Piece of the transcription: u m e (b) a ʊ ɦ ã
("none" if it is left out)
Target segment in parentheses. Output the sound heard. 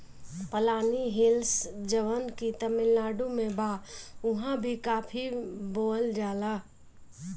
b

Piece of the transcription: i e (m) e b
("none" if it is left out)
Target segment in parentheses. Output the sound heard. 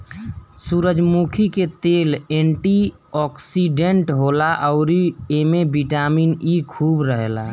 m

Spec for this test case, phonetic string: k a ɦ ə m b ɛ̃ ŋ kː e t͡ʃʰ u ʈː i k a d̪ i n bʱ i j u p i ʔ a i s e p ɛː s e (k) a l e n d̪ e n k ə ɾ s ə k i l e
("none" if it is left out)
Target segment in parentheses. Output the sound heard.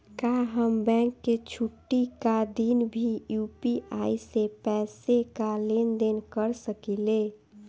k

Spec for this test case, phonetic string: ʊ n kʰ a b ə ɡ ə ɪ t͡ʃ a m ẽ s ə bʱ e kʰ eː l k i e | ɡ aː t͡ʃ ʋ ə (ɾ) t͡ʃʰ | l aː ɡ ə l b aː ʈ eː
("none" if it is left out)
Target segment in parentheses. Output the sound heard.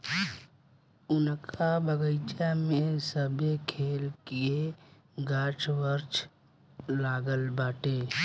ɾ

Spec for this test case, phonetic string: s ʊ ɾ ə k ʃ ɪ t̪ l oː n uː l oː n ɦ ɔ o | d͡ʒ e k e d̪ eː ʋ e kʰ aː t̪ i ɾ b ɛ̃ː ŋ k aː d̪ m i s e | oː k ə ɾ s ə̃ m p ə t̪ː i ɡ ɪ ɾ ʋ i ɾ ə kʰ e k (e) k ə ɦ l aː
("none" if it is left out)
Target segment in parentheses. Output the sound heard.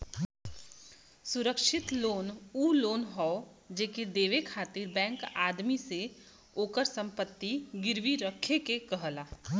e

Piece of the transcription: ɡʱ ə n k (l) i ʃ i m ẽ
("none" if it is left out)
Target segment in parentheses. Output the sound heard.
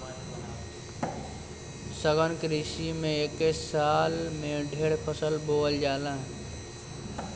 ɾ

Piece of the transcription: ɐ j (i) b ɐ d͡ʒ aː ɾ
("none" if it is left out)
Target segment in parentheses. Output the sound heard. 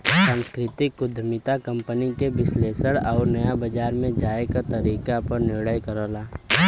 a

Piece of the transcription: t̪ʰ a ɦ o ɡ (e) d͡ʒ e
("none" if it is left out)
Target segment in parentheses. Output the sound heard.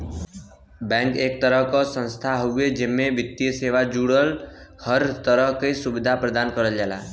e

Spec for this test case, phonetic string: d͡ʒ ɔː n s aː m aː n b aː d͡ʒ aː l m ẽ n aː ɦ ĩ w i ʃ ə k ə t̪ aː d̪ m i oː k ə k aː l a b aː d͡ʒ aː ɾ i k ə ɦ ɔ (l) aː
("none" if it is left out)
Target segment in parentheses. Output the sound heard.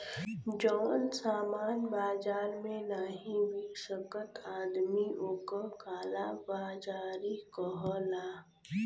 l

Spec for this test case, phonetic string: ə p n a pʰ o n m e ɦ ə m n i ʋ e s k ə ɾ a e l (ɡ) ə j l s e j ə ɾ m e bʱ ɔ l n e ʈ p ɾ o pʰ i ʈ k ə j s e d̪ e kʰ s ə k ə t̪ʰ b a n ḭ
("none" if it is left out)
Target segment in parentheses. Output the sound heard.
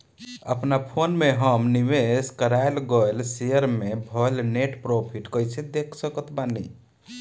ɡ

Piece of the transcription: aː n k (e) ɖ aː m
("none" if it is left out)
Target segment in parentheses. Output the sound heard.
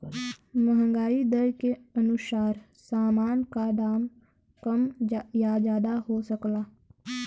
a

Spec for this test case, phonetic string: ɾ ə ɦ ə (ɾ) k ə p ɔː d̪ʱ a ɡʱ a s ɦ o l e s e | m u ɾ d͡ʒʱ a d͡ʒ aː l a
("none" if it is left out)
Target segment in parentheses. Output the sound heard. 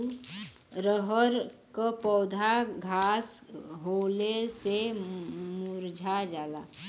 ɾ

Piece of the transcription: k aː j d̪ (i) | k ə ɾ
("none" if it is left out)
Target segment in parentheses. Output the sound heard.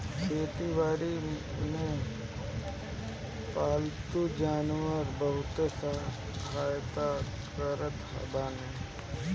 a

